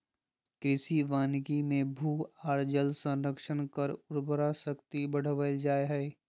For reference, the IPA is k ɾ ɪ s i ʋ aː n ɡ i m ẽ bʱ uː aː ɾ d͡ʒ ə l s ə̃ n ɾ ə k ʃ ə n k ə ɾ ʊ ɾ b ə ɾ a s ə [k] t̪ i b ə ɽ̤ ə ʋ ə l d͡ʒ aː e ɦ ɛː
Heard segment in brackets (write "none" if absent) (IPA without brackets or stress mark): k